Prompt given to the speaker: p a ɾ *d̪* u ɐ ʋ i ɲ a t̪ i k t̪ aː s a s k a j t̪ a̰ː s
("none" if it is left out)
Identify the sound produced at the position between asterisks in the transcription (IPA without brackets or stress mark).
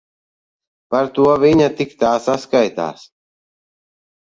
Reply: t̪